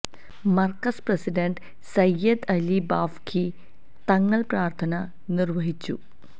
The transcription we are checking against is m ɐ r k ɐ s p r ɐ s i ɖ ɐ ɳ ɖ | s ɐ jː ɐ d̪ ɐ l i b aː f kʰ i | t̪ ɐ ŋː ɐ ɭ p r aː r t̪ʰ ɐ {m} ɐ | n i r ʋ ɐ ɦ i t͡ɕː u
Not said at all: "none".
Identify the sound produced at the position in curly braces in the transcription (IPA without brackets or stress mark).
n